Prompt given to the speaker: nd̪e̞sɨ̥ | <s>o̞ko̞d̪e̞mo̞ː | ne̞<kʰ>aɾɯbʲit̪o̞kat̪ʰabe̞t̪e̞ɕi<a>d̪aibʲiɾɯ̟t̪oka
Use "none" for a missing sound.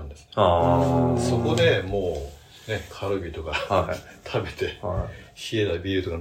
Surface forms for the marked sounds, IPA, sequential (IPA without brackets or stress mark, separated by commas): s, kʰ, e